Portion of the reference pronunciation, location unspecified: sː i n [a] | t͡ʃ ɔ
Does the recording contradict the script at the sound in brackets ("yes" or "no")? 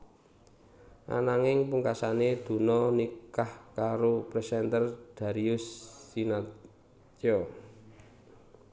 no